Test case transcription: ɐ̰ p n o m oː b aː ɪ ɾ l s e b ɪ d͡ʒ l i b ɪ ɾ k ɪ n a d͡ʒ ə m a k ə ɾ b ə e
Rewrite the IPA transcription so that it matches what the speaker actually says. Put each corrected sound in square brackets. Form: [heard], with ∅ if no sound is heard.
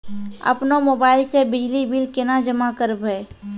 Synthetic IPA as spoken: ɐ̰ p n o m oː b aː ɪ [∅] l s e b ɪ d͡ʒ l i b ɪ [l] k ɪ n a d͡ʒ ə m a k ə ɾ b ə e